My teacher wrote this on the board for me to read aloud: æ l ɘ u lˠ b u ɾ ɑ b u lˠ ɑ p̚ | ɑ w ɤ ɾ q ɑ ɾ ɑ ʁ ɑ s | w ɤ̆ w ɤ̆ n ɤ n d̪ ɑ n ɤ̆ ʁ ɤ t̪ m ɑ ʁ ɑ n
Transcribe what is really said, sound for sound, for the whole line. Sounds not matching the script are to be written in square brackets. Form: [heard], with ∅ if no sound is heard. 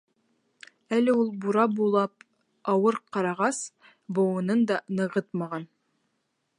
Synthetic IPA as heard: æ l ɘ u lˠ b u ɾ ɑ b u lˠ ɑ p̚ | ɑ w ɤ ɾ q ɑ ɾ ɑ ʁ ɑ s | [b] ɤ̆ w ɤ̆ n ɤ n d̪ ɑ n ɤ̆ ʁ ɤ t̪ m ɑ ʁ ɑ n